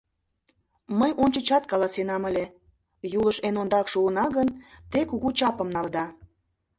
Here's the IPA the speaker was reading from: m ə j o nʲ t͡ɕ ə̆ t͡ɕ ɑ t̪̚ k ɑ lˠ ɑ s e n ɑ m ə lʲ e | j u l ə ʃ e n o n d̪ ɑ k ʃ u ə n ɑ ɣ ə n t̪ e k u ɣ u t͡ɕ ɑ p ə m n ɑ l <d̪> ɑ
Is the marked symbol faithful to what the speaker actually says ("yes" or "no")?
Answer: yes